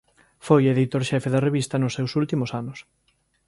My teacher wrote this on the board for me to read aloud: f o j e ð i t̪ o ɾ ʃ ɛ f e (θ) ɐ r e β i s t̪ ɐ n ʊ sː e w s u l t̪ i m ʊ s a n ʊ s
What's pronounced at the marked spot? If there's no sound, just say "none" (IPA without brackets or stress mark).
ð